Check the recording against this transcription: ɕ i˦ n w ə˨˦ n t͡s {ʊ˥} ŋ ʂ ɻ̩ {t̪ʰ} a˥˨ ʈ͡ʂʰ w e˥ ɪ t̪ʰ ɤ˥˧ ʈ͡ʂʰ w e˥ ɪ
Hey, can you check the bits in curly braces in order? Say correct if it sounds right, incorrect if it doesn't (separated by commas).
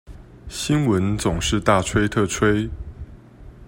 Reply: incorrect, incorrect